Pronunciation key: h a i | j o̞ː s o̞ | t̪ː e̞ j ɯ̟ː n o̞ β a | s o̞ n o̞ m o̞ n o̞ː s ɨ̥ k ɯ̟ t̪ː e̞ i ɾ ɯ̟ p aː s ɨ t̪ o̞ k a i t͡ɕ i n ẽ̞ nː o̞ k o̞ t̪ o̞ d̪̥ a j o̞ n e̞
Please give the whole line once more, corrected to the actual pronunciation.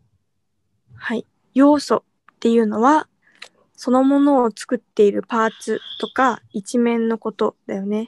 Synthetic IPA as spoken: h a i | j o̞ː s o̞ | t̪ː e̞ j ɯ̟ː n o̞ β a | s o̞ n o̞ m o̞ n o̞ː t͡s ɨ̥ k ɯ̟ t̪ː e̞ i ɾ ɯ̟ p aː t͡s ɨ t̪ o̞ k a i t͡ɕ i m ẽ̞ nː o̞ k o̞ t̪ o̞ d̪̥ a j o̞ n e̞